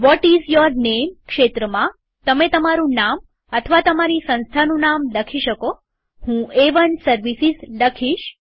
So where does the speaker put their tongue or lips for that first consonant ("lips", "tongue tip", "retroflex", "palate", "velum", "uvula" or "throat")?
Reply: lips